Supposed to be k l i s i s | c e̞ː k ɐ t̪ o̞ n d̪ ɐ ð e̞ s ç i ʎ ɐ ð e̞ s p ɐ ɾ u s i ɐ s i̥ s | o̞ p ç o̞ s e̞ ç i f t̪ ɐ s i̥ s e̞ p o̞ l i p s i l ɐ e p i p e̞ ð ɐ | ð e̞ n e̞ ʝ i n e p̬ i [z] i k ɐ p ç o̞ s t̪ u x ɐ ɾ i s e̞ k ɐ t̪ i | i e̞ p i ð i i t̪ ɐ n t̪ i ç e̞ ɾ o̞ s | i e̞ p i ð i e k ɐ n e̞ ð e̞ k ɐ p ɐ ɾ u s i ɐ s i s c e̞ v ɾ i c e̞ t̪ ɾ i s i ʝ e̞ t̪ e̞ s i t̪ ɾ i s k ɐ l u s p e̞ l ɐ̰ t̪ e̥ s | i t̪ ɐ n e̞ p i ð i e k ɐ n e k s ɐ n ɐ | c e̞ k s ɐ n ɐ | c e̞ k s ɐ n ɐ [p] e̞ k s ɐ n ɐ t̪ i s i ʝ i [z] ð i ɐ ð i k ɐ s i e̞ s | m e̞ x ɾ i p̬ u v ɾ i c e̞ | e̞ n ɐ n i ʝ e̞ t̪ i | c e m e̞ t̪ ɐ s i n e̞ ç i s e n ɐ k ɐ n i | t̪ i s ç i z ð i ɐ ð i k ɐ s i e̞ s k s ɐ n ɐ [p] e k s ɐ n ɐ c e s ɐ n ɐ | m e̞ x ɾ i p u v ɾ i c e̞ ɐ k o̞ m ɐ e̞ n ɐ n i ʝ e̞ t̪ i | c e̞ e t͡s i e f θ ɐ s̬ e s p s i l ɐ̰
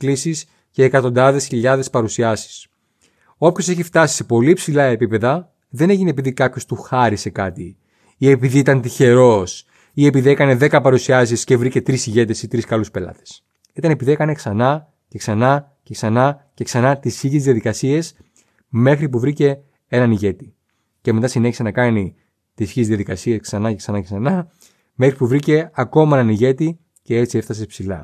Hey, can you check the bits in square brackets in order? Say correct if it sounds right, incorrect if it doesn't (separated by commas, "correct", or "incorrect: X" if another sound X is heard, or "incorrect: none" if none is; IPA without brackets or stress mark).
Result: incorrect: ð, incorrect: c, correct, incorrect: c